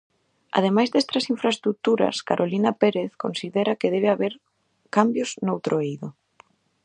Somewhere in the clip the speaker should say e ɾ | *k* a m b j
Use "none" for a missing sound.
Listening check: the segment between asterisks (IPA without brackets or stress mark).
k